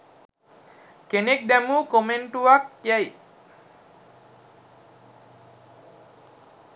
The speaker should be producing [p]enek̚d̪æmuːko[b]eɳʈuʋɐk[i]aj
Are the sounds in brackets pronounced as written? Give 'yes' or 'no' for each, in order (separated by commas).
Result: no, no, no